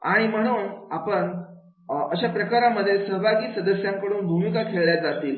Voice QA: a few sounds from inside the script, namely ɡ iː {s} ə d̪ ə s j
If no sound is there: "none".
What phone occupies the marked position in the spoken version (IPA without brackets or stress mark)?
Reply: s